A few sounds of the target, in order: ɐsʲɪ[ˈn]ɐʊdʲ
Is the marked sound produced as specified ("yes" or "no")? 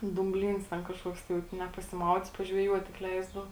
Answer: no